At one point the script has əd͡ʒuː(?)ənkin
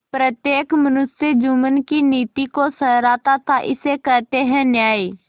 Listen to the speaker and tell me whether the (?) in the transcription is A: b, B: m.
B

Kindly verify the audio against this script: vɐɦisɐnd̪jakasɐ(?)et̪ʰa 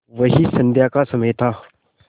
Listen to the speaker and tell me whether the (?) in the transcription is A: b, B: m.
B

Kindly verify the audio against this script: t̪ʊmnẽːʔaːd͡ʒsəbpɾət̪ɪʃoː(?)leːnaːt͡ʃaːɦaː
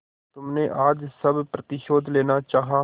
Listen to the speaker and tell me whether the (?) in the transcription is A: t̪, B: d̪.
B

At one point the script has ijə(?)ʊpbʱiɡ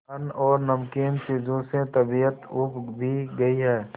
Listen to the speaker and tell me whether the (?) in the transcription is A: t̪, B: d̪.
A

